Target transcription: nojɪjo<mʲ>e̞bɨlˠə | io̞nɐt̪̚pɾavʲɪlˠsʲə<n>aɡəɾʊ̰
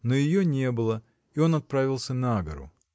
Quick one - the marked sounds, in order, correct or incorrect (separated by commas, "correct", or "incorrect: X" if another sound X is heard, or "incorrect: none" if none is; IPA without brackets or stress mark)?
incorrect: nʲ, correct